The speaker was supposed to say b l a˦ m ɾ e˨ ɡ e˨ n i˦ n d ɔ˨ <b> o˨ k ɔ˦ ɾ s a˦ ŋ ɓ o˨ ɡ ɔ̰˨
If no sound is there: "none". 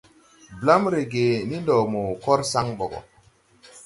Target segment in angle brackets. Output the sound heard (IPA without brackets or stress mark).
m